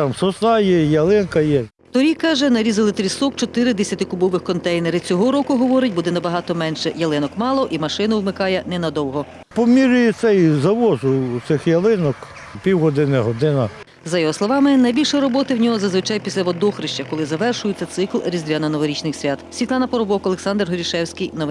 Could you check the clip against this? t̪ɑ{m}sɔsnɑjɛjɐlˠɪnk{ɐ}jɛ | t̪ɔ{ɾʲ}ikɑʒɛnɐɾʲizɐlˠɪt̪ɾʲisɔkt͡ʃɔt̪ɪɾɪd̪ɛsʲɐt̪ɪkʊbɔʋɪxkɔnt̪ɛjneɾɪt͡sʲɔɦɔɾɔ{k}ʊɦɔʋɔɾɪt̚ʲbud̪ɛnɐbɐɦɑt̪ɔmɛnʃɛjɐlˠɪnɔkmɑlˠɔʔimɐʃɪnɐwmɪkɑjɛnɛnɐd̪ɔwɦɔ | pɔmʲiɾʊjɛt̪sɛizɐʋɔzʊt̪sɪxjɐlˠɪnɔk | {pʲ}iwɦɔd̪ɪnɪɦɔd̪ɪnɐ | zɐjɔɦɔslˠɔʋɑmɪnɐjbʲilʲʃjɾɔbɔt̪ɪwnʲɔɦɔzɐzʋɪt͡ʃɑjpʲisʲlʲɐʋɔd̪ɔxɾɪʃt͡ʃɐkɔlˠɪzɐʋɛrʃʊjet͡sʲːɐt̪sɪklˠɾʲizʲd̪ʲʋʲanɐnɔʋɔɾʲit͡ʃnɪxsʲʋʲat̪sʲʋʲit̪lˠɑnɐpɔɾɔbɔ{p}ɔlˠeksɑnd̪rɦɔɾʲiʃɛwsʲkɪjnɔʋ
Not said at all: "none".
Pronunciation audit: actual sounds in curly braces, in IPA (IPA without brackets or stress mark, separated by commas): m, ɐ, ɾʲ, k, pʲ, k